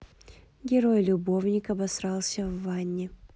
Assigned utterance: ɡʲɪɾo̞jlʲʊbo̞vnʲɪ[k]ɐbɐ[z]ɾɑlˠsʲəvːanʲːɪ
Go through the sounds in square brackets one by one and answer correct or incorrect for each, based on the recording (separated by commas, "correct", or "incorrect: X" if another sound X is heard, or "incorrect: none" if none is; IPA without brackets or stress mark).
correct, incorrect: s